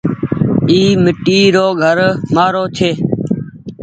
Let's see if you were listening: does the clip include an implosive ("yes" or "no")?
no